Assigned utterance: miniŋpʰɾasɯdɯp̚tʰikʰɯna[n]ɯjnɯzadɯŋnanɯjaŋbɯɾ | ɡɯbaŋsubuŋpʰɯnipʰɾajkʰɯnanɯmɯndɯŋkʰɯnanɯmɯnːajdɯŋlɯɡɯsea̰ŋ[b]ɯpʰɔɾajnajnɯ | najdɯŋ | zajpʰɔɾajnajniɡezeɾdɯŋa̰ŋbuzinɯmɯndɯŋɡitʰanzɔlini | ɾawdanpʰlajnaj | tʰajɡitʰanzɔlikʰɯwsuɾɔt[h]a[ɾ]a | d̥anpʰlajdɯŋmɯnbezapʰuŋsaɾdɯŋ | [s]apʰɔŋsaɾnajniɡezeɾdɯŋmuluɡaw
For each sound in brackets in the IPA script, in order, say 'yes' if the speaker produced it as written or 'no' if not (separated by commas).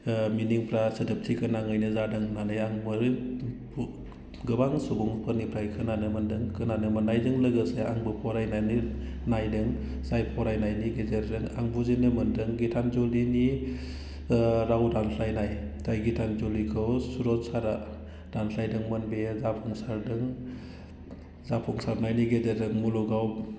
no, yes, no, yes, no